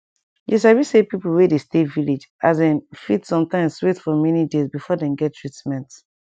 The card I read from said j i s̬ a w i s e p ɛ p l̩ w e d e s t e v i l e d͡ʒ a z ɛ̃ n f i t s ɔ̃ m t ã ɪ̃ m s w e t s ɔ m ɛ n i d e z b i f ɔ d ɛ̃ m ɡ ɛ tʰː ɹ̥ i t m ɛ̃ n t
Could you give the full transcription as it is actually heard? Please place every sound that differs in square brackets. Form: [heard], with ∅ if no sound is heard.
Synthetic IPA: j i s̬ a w i s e p [i] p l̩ w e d e s t e v i l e d͡ʒ a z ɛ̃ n f i t s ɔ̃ m t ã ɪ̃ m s w e t [f] ɔ m ɛ n i d e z b i f ɔ d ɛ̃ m ɡ ɛ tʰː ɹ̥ i t m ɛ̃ n t